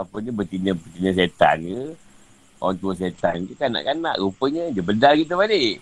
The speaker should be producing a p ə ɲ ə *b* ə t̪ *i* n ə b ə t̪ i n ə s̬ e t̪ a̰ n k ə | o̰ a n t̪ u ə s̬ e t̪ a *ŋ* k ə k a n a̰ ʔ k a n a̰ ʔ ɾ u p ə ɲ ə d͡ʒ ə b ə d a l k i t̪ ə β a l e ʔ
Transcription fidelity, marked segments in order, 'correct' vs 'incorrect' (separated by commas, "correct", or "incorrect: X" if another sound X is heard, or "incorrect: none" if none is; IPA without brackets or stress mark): correct, correct, incorrect: n